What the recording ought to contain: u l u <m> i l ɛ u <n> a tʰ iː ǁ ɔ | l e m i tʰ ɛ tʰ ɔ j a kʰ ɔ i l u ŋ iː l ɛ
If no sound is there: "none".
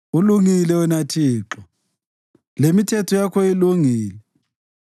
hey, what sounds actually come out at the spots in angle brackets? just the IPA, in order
ŋ, n

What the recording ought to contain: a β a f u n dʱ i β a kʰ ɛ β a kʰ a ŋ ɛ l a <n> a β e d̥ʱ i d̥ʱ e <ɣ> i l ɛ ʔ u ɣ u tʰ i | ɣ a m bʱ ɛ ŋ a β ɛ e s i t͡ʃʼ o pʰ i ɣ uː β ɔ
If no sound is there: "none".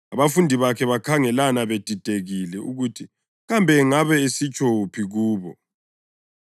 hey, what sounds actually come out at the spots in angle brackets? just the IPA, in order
n, ɣ

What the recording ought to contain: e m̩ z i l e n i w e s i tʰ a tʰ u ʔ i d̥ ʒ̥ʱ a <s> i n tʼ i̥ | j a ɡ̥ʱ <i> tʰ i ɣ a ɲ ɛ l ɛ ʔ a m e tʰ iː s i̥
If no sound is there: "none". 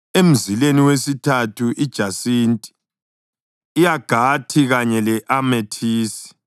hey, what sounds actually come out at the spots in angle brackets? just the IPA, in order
s, a

